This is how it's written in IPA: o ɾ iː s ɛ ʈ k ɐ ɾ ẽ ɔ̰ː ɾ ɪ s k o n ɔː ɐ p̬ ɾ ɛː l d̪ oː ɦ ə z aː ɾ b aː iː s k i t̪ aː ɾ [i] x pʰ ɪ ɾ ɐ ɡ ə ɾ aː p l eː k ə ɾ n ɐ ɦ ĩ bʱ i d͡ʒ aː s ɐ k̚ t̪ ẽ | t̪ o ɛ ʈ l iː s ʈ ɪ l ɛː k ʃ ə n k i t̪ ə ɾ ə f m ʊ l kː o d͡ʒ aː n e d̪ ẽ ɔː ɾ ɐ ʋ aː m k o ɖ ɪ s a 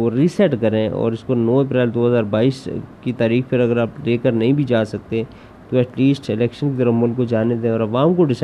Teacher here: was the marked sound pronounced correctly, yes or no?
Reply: no